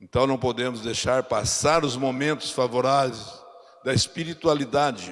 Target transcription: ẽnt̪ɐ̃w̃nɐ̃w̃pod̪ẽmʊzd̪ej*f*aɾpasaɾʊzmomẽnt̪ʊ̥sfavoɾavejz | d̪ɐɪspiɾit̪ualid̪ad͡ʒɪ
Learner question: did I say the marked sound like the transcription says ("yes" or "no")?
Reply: no